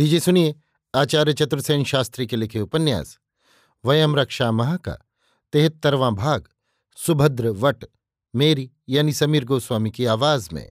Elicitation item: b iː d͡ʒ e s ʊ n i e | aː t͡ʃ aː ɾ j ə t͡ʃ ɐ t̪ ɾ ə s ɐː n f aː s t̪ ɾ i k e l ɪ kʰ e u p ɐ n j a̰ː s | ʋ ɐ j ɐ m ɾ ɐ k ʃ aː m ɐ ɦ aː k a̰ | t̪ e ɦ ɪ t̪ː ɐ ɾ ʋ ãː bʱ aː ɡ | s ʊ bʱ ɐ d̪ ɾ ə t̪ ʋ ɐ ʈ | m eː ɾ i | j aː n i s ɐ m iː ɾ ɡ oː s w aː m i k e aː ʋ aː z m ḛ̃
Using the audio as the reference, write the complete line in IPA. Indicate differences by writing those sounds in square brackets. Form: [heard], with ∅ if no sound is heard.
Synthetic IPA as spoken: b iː d͡ʒ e s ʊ n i e | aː t͡ʃ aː ɾ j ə t͡ʃ ɐ t̪ ɾ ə s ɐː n [ʃ] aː s t̪ ɾ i k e l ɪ kʰ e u p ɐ n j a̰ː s | ʋ ɐ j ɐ m ɾ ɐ k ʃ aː m ɐ ɦ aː k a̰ | t̪ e ɦ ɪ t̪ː ɐ ɾ ʋ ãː bʱ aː ɡ | s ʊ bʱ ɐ d̪ ɾ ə [∅] ʋ ɐ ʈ | m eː ɾ i | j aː n i s ɐ m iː ɾ ɡ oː s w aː m i k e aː ʋ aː z m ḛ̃